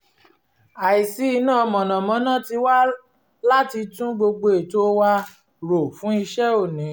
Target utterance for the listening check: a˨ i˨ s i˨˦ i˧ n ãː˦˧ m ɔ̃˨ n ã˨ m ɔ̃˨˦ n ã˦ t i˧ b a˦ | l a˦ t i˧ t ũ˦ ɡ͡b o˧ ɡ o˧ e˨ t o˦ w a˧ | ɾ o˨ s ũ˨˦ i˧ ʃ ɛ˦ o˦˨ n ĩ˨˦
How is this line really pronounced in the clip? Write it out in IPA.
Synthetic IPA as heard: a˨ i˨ s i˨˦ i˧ n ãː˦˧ m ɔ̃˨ n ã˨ m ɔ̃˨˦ n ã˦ t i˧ w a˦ | l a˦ t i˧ t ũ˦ ɡ͡b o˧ ɡ͡b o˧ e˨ t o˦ w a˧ | ɾ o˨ f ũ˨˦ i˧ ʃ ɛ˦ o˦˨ n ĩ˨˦